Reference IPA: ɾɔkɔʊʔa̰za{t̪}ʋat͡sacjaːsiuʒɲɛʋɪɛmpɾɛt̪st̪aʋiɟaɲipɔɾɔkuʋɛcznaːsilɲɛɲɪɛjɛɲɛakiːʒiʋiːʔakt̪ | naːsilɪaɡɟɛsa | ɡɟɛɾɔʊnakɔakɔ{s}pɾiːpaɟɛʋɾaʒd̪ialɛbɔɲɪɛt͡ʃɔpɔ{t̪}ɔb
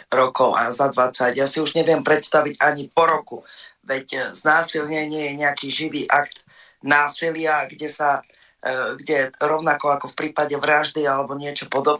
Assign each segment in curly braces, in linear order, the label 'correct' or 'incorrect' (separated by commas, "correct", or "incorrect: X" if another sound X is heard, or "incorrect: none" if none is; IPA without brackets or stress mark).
incorrect: d̪, incorrect: f, incorrect: d̪